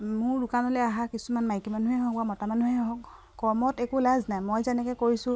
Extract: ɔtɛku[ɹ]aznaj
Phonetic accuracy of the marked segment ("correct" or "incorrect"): incorrect